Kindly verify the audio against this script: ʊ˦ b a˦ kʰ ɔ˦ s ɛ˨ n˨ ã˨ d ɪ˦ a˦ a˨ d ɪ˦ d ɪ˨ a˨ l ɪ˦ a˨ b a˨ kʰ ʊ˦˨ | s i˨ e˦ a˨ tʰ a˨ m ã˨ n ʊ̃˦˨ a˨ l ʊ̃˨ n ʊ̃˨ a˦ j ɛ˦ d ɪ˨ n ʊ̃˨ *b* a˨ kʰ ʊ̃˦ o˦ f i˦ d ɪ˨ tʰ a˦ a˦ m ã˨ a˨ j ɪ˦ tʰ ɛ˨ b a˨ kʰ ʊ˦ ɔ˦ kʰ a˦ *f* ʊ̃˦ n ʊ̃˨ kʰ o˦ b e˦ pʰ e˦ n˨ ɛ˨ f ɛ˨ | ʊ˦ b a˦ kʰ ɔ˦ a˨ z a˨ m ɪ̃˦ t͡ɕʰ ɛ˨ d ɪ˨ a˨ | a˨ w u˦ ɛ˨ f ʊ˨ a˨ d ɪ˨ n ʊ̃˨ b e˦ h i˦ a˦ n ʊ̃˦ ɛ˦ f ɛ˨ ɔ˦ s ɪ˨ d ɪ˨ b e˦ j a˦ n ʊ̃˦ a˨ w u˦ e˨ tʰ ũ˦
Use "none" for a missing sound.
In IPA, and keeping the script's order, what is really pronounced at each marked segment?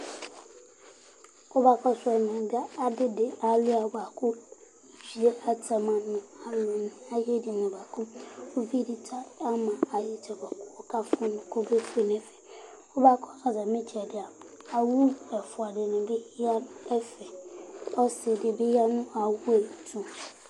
b, f

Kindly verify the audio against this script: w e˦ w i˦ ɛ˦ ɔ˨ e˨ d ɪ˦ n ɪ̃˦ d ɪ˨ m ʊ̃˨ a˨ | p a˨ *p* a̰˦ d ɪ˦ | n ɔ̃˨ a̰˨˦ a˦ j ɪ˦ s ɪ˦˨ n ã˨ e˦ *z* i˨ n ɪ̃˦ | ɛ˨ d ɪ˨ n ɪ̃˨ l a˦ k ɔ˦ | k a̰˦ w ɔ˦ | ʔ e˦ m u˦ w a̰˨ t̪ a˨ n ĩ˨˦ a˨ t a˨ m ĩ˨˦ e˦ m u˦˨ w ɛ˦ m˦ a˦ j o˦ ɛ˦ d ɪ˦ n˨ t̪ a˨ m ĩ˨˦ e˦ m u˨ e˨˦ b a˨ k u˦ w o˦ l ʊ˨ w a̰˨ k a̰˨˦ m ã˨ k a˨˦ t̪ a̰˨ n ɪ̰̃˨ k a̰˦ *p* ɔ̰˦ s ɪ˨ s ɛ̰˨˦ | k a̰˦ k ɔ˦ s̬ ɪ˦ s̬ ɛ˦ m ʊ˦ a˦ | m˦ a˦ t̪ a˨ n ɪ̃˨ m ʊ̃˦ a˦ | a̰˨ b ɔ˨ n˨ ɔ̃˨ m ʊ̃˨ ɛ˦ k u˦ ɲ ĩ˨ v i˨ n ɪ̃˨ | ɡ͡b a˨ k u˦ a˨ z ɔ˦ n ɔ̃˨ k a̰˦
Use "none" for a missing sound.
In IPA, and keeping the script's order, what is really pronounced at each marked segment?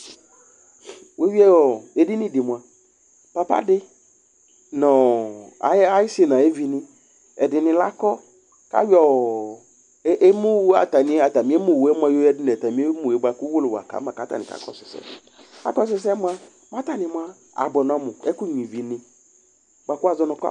p, v, k

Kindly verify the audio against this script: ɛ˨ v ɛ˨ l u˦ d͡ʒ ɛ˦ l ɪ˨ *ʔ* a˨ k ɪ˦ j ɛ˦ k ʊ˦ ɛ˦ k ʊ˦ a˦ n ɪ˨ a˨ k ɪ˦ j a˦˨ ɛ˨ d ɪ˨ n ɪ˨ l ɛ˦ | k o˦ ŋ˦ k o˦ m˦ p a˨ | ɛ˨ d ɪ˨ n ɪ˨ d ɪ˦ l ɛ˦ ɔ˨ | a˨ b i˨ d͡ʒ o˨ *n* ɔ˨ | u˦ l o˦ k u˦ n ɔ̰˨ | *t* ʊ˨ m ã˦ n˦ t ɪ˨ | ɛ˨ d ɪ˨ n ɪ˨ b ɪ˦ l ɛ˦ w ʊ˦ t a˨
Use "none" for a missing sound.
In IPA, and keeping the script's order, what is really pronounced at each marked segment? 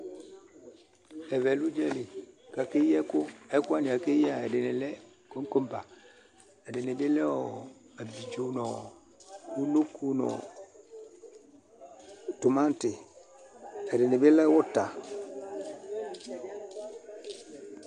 k, n, t

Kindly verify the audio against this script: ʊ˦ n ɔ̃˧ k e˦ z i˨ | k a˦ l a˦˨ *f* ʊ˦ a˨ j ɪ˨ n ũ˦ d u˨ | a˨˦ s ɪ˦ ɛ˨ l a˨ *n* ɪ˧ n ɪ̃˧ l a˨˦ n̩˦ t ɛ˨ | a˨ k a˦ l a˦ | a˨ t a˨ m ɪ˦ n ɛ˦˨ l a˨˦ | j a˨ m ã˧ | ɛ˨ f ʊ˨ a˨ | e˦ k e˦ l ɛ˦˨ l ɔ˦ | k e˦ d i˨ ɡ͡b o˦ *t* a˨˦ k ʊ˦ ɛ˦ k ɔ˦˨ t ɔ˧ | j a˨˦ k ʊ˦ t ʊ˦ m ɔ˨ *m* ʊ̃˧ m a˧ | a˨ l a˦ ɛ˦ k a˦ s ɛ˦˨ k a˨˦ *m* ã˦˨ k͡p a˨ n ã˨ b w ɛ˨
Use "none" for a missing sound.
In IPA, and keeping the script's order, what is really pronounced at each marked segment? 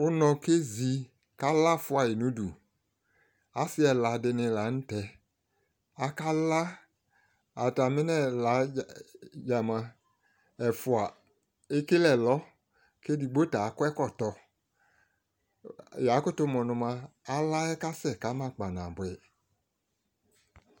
f, d, t, n, m

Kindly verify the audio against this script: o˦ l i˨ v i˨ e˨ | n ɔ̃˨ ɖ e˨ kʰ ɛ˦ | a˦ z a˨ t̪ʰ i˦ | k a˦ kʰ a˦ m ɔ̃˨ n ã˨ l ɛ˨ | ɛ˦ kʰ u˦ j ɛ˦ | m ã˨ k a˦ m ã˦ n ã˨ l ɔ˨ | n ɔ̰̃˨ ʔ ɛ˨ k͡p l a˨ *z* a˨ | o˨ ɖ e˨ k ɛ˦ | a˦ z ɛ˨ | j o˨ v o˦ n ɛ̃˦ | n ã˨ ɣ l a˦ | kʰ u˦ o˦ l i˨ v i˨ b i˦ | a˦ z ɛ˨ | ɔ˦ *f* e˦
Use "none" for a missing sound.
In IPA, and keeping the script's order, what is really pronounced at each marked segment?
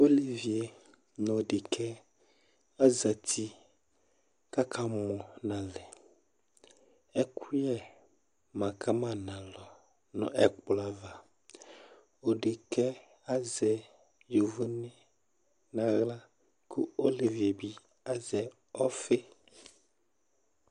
v, f

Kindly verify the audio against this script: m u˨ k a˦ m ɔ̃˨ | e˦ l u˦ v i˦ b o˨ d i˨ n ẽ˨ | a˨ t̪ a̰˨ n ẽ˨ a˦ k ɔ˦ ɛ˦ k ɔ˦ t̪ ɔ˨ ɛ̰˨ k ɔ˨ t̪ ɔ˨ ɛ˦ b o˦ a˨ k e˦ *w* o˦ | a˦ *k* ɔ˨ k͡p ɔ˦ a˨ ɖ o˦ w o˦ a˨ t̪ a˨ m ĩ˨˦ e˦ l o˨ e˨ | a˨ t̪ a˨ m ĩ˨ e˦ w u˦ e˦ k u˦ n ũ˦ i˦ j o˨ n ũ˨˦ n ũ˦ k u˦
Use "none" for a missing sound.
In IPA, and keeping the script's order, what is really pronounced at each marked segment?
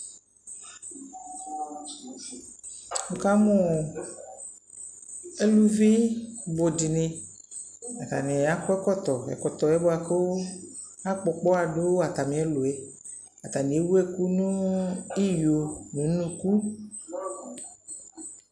w, k͡p

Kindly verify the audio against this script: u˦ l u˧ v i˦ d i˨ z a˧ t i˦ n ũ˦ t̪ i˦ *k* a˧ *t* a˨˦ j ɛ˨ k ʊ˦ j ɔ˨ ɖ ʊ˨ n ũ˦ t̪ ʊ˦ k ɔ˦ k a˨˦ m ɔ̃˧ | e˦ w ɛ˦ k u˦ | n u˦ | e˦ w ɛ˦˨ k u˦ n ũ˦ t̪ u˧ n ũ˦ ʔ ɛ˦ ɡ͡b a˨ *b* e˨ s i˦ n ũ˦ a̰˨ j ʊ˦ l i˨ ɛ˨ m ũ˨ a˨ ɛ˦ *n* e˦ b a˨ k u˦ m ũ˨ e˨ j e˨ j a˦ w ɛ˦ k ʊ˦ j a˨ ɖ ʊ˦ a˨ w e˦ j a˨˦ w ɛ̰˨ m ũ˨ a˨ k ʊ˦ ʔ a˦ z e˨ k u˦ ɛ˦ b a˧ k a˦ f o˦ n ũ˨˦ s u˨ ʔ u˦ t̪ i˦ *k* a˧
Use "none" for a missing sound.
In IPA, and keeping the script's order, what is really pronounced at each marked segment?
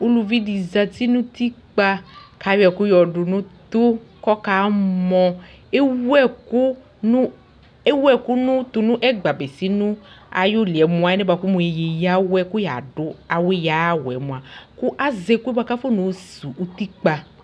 k͡p, k, b, n, k͡p

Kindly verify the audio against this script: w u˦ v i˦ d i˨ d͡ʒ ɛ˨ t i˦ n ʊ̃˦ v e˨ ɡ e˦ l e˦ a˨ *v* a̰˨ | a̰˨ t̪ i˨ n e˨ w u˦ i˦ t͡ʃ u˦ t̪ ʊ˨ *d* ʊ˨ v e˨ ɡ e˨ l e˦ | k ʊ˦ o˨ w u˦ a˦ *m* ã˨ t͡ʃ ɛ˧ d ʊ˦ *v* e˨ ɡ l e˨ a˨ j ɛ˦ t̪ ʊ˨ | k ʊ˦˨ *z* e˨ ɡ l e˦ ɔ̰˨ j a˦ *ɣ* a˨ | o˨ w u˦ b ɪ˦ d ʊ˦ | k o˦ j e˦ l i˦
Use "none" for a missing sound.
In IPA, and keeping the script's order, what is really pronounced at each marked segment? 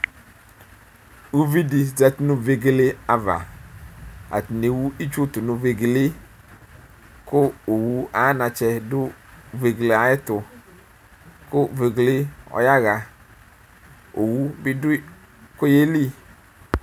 v, n, n, v, v, ɣ

